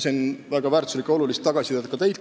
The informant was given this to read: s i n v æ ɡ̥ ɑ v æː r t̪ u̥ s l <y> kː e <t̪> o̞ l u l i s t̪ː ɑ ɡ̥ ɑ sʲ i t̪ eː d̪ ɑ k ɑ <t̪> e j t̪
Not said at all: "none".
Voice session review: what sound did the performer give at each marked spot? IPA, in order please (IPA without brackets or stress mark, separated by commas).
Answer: i, none, t̪